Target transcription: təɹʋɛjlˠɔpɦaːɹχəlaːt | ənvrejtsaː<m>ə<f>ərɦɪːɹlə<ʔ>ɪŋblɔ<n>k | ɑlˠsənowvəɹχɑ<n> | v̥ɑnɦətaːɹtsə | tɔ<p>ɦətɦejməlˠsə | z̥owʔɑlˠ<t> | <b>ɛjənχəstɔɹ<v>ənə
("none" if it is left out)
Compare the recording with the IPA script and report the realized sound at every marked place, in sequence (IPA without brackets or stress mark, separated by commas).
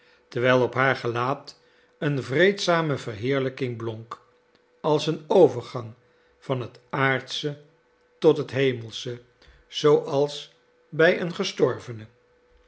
m, v, k, ŋ, ŋ, t, s, b, v